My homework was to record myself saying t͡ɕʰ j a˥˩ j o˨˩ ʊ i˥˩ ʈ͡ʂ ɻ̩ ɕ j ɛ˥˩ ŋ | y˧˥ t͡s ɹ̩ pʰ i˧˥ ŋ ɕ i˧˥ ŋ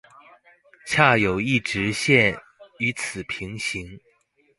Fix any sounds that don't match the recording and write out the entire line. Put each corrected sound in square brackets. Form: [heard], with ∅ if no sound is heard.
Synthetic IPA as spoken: t͡ɕʰ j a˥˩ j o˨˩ ʊ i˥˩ ʈ͡ʂ ɻ̩ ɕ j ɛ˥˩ [n] | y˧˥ [t͡sʰ] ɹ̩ pʰ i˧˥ ŋ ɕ i˧˥ ŋ